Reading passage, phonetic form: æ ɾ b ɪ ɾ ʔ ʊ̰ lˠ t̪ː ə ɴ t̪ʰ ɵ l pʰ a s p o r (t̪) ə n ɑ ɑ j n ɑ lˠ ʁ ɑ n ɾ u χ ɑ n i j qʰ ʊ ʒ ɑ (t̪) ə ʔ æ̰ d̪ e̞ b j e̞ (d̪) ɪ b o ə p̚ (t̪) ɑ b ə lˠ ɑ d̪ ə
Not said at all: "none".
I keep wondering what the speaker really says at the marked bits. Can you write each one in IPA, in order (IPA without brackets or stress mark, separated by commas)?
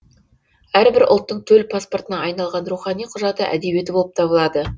t̪, t̪, t̪, t̪ʰ